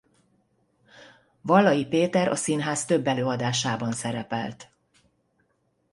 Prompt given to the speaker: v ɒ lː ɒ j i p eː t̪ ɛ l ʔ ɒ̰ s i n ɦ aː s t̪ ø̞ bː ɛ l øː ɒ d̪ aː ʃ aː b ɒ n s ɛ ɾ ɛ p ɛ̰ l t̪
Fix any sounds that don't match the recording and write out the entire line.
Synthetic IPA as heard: v ɒ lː ɒ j i p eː t̪ ɛ ɾ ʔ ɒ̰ s i n ɦ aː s t̪ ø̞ bː ɛ l øː ɒ d̪ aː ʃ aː b ɒ n s ɛ ɾ ɛ p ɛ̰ l t̪